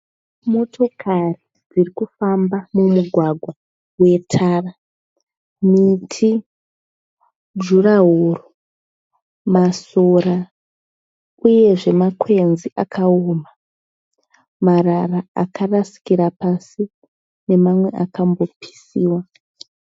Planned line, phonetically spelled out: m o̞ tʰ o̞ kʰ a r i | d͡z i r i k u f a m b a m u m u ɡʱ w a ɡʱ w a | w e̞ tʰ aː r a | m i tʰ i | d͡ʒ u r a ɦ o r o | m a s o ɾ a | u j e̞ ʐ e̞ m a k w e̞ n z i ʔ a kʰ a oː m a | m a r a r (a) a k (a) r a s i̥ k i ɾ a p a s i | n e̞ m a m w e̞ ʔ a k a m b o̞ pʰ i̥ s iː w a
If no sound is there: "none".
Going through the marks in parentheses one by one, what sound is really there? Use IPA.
a, a

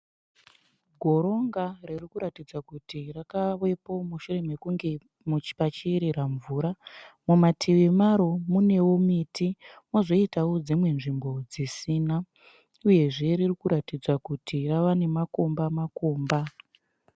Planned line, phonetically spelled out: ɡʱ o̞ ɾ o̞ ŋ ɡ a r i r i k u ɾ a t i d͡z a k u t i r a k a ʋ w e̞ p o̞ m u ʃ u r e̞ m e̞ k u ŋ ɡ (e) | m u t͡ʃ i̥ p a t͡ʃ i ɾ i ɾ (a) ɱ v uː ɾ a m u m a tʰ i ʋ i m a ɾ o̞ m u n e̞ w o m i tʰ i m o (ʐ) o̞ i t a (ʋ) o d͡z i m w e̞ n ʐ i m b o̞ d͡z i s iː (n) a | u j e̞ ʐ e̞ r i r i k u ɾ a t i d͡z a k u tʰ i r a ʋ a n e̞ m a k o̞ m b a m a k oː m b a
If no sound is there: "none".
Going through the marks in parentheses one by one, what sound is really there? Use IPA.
e, a, z, w, n

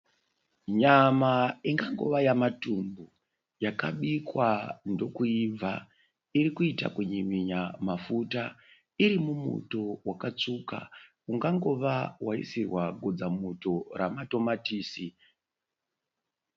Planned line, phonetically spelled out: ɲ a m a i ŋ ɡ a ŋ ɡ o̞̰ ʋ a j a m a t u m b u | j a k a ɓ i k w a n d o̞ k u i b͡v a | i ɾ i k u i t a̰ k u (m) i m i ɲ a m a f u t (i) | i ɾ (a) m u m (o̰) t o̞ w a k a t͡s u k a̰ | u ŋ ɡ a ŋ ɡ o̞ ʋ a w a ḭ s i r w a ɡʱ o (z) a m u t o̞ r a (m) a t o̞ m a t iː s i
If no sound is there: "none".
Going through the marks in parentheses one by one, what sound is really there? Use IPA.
ɲ, a, i, ṵ, d͡z, m

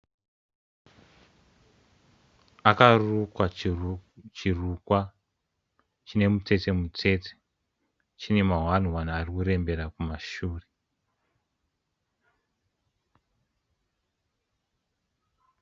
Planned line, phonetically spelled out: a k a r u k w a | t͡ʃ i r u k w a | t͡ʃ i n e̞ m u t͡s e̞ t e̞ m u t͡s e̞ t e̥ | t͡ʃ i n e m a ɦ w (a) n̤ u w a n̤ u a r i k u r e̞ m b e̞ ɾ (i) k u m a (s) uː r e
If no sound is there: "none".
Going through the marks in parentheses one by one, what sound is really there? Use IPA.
a, a, ʃ

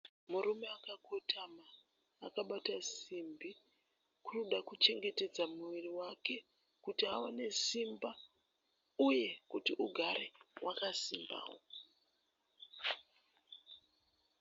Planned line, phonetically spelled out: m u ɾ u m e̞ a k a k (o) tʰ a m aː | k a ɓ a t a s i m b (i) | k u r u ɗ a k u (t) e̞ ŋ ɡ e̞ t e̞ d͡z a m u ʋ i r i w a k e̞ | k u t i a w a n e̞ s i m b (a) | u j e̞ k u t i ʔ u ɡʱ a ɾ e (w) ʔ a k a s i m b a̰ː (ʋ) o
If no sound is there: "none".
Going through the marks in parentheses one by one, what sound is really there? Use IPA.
o, i, t͡ʃ, a, w, w

